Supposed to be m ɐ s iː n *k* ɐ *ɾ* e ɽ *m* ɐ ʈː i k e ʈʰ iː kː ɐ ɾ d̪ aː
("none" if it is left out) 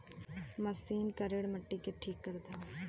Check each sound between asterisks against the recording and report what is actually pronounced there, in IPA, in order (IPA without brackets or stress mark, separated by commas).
k, ɾ, m